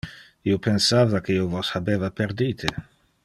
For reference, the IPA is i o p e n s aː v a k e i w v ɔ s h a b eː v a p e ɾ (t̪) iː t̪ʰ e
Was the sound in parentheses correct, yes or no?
no